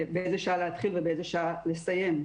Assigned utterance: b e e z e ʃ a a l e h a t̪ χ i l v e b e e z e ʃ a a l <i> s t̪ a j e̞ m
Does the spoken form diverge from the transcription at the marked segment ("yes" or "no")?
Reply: yes